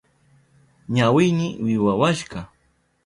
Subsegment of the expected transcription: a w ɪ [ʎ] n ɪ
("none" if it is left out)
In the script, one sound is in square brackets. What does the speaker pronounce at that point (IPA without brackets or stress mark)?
j